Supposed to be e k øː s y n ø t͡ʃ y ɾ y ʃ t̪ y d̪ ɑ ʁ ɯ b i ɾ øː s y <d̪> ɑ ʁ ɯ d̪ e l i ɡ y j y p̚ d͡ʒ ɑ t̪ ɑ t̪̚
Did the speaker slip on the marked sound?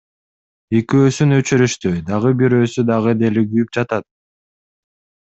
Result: no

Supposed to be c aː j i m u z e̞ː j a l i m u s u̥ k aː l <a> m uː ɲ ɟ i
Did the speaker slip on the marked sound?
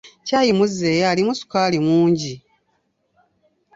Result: yes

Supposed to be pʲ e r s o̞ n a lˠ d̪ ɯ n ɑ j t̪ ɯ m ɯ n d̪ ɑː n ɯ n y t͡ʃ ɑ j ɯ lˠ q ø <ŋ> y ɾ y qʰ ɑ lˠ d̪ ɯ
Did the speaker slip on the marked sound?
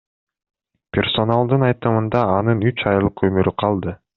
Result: yes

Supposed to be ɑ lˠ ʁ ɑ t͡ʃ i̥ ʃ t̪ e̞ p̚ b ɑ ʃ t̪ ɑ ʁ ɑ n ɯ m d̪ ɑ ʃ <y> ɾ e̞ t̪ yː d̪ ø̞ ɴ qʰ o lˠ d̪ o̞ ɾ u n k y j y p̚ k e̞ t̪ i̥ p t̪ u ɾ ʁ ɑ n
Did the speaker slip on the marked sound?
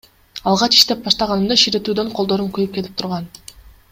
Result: yes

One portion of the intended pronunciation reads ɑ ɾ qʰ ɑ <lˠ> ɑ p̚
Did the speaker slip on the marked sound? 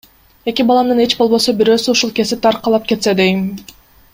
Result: no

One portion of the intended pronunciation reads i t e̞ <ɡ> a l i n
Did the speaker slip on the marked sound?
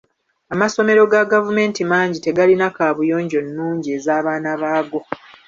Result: no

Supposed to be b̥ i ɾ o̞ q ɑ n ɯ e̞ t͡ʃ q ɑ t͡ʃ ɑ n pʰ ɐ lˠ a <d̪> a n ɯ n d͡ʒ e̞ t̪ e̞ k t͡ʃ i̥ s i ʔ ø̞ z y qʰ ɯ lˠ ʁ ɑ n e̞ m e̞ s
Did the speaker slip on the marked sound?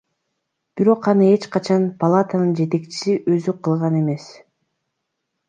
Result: yes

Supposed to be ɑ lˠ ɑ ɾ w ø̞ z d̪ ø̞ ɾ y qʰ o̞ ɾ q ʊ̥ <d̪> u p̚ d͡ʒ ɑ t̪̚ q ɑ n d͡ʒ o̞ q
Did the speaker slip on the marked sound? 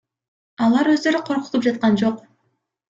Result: yes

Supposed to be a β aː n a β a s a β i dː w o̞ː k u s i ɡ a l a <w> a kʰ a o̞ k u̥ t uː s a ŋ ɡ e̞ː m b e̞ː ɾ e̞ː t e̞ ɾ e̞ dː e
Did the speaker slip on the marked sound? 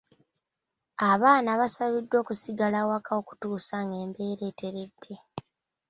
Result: no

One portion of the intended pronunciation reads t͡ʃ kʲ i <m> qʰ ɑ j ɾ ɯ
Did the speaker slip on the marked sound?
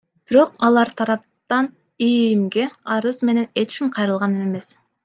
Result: no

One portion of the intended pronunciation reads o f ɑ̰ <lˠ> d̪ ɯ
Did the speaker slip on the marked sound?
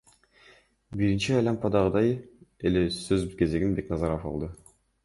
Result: no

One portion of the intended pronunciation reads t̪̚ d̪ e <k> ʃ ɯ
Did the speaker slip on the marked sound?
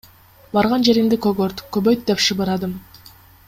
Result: yes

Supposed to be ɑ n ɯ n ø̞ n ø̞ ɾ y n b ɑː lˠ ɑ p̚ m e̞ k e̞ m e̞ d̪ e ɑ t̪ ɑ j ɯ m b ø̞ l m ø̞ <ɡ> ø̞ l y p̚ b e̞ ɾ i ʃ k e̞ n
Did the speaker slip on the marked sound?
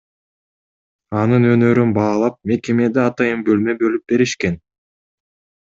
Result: yes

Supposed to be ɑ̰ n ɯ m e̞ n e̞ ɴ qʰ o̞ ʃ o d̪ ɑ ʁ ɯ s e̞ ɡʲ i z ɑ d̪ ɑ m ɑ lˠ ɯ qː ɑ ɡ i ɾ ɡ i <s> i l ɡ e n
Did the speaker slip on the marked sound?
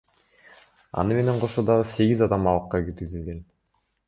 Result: yes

